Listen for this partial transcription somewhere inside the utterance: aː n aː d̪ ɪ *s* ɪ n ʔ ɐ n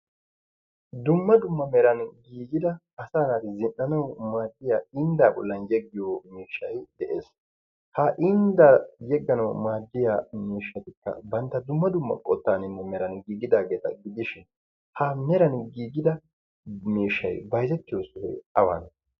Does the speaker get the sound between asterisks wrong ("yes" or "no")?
yes